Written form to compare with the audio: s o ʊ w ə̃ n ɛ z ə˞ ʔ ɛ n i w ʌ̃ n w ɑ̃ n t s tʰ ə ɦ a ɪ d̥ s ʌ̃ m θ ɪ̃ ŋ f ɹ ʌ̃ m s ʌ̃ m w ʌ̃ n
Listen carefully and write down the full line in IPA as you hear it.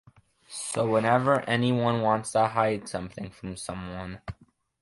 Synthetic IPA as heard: s o ʊ w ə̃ n ɛ v ə˞ ʔ ɛ n i w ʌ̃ n w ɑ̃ n t s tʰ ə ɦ a ɪ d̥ s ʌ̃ m θ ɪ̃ ŋ f ɹ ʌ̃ m s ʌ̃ m w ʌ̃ n